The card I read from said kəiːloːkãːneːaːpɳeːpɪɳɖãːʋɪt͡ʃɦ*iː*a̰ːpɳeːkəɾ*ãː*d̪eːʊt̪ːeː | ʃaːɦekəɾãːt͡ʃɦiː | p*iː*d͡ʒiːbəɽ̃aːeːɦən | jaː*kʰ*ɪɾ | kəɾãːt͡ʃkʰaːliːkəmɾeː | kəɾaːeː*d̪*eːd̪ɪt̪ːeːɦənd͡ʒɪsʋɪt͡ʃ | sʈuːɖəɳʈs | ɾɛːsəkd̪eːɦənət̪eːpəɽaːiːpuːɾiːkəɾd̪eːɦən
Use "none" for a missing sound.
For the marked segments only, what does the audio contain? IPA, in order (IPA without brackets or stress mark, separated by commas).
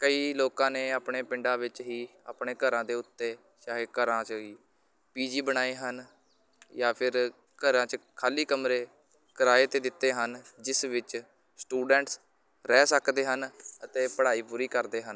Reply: iː, ãː, iː, pʰ, t̪